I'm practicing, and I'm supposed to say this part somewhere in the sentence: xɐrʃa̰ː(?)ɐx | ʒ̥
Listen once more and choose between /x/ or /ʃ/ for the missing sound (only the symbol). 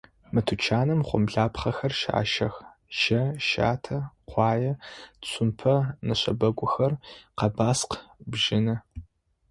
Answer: ʃ